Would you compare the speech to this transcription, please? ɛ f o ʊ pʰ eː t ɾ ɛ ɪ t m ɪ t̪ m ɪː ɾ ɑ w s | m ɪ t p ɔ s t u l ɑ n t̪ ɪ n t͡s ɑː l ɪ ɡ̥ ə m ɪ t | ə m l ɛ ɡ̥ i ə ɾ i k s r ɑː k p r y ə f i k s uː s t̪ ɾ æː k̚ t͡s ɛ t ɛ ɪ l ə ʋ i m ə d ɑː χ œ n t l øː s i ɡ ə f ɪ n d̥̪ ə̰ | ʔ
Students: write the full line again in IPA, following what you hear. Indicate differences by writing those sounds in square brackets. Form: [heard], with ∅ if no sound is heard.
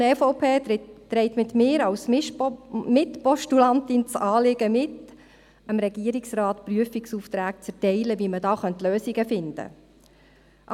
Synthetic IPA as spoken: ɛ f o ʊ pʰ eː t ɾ ɛ ɪ t m ɪ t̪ m ɪː ɾ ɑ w s | m ɪ t p ɔ [ʃ] t u l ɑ n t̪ ɪ n t͡s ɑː l ɪ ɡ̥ ə m ɪ t | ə m [ɾ] ɛ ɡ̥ i ə ɾ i k s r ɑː [t] p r y ə f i k s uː [f] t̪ ɾ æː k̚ t͡s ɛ t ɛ ɪ l ə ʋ i m ə d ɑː χ œ n t l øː s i ɡ ə f ɪ n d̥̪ ə̰ | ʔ